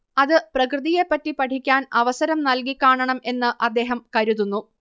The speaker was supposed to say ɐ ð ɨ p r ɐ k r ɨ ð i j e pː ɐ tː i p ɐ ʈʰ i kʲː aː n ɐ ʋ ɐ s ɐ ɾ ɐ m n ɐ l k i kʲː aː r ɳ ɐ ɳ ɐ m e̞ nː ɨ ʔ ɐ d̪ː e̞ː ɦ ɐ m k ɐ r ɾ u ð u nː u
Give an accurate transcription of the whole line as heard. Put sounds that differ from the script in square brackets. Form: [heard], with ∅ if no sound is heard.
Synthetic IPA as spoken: ɐ ð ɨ p r ɐ k r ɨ ð i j e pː ɐ tː i p ɐ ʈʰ i kʲː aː n ɐ ʋ ɐ s ɐ ɾ ɐ m n ɐ l k i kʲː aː [∅] ɳ ɐ ɳ ɐ m e̞ nː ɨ ʔ ɐ d̪ː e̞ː ɦ ɐ m k ɐ [∅] ɾ u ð u nː u